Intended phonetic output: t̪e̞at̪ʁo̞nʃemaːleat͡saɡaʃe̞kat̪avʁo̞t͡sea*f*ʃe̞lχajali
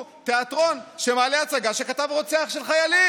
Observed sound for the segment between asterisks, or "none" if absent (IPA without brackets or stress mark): χ